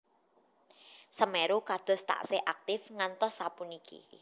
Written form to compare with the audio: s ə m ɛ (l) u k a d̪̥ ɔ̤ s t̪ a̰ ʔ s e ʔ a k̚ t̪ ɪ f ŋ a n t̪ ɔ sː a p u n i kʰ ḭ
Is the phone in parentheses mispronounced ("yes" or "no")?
yes